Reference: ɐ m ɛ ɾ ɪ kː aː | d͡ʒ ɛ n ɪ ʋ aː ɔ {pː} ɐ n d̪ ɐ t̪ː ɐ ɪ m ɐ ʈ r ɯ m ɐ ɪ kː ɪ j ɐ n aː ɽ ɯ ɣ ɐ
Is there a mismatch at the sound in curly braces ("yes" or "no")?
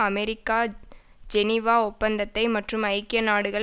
no